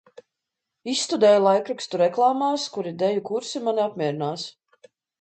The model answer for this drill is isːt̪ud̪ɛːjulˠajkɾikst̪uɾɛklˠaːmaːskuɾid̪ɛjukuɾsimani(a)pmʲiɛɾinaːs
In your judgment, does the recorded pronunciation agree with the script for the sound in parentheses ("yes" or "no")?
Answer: yes